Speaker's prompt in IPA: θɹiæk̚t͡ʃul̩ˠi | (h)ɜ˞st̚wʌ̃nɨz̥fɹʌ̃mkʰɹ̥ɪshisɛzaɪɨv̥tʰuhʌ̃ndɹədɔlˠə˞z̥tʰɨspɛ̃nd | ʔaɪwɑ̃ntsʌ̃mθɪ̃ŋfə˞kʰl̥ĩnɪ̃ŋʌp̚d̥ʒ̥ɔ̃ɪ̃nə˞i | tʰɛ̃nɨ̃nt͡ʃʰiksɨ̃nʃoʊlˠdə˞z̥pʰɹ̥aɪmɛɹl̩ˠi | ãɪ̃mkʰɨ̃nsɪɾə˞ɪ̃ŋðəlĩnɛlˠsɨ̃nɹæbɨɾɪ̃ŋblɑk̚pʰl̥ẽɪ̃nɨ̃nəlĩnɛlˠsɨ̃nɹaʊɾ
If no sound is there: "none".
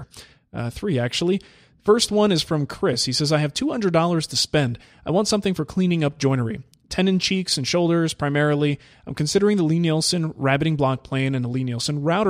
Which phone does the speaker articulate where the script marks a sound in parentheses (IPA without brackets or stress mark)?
f